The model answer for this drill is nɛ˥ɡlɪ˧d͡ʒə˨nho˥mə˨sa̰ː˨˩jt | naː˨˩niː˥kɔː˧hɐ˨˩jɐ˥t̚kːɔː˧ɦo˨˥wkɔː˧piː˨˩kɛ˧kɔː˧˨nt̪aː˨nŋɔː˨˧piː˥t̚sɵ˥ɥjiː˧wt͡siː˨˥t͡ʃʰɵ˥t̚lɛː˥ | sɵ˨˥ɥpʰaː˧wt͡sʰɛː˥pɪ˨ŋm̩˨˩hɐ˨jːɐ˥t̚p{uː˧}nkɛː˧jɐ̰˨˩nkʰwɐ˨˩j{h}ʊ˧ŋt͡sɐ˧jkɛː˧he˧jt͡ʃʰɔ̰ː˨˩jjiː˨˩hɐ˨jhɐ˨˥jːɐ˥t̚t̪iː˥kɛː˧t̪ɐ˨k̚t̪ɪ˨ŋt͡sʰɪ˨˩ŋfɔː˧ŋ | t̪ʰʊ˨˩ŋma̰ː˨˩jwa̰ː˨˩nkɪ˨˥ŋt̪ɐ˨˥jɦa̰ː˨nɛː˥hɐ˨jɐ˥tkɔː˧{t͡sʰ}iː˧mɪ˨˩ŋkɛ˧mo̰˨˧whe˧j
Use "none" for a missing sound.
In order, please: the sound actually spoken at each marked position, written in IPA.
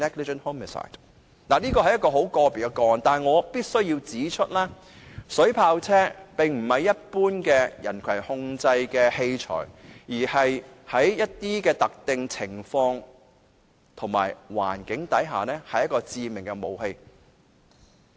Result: uː˥, h, t͡s

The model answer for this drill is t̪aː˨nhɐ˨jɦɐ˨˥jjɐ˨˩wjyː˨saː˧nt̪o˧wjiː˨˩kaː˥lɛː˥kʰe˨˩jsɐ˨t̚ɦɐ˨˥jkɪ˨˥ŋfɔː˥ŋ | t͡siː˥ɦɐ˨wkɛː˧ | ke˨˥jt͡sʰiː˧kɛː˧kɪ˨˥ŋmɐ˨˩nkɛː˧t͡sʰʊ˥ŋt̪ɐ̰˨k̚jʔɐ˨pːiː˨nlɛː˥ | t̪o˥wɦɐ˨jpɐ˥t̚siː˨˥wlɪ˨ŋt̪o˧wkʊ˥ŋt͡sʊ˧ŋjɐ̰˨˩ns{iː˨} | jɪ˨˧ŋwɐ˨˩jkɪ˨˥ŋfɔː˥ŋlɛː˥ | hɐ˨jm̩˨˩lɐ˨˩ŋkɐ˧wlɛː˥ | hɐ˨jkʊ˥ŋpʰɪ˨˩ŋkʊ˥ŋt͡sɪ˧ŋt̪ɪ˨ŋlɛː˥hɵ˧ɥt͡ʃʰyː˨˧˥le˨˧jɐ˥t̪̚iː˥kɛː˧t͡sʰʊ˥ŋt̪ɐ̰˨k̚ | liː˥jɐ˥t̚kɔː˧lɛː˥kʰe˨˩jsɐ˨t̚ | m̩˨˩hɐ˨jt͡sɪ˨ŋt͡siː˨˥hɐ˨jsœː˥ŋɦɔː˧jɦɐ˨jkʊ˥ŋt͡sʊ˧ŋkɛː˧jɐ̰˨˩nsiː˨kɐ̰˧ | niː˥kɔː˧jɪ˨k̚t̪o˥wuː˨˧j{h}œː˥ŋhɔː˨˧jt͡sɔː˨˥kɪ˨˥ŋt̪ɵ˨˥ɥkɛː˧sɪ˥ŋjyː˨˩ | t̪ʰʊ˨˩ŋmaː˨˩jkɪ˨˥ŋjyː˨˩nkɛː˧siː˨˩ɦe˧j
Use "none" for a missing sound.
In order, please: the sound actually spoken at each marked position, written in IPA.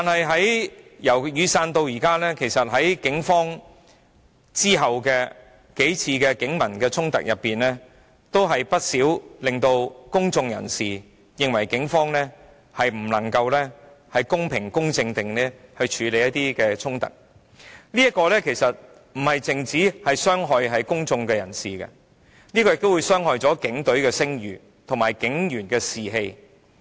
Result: iː˨, s

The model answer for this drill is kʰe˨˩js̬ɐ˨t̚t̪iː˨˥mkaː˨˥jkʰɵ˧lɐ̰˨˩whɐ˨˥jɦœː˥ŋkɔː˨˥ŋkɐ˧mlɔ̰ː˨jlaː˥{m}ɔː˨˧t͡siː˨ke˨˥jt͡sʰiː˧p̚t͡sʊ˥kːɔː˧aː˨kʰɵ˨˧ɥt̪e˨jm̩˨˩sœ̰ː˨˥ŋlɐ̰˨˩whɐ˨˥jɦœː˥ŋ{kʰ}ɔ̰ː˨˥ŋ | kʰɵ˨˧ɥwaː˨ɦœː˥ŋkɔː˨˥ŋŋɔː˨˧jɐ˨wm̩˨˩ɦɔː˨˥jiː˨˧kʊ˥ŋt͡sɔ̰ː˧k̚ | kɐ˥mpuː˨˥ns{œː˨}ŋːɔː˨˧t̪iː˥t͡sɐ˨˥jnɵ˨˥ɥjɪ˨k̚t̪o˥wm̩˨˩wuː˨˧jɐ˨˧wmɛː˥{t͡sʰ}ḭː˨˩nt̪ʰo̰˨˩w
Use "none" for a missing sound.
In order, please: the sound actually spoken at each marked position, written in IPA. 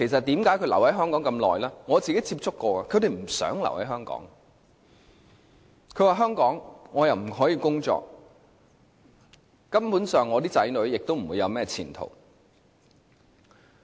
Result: ŋ, k, œː˨, t͡sʰ

